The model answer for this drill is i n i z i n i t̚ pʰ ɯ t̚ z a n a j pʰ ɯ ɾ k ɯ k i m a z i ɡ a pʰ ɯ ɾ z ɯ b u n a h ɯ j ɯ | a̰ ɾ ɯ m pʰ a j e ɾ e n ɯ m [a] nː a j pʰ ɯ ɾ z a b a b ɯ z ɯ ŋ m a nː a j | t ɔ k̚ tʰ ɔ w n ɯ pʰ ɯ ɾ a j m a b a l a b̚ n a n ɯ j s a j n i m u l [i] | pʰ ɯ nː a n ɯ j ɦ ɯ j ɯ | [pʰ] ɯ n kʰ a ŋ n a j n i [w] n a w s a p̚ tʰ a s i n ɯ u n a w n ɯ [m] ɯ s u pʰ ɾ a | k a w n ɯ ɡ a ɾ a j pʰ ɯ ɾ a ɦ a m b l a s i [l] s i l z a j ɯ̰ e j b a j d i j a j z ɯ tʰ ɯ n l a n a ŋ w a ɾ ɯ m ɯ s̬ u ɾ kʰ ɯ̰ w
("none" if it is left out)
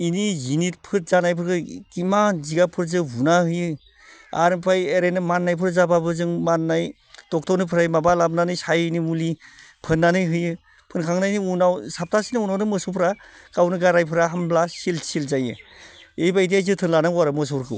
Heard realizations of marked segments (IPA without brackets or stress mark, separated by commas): a, i, pʰ, u, m, l